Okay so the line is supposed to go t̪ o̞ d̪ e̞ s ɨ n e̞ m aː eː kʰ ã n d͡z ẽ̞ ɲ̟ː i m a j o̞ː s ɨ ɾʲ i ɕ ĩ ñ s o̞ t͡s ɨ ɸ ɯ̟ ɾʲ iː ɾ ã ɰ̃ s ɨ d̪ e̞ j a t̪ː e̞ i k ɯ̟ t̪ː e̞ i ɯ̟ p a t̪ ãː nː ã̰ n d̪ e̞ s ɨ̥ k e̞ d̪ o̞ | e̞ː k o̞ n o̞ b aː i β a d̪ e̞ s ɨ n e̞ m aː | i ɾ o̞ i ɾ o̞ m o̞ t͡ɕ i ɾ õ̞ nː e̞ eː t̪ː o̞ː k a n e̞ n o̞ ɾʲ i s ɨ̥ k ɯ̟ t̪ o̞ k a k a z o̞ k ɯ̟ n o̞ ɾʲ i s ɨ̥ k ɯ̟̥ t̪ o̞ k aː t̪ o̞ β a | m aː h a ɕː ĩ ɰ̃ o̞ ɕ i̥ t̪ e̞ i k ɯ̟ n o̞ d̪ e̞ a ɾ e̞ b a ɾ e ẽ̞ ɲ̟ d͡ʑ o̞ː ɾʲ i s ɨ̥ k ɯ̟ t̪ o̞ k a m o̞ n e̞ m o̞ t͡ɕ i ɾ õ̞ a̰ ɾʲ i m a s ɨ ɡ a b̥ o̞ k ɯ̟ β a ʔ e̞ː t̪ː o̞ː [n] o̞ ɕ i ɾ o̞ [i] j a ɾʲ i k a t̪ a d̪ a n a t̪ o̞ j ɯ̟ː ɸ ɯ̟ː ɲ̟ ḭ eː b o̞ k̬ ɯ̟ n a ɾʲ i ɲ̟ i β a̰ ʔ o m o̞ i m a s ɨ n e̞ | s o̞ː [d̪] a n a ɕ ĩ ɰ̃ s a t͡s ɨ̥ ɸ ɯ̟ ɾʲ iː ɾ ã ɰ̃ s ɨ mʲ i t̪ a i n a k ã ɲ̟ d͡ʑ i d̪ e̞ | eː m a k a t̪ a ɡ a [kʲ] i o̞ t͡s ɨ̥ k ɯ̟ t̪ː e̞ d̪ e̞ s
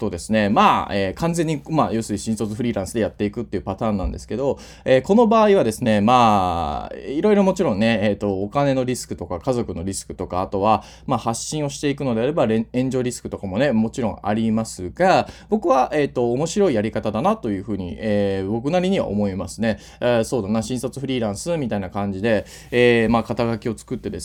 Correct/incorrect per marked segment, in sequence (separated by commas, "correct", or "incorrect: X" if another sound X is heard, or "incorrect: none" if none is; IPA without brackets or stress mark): incorrect: m, correct, correct, correct